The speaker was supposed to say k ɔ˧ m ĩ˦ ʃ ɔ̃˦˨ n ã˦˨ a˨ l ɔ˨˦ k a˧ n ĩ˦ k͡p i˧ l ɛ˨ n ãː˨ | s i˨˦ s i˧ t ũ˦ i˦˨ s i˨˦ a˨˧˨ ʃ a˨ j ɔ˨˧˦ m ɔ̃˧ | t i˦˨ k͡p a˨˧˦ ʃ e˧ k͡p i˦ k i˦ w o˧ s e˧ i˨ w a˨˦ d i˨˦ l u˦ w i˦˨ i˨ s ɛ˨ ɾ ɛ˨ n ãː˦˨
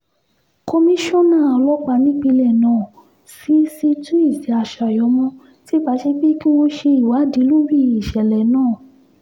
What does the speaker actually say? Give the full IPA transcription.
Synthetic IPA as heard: k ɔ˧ m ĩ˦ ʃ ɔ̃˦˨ n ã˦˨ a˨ l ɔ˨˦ k͡p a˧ n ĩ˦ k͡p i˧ l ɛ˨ n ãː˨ | s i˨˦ s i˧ t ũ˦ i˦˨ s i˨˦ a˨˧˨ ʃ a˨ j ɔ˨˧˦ m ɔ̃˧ | t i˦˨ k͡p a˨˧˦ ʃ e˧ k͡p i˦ k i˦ w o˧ ʃ e˧ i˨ w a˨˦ d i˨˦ l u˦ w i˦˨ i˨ ʃ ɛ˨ l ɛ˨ n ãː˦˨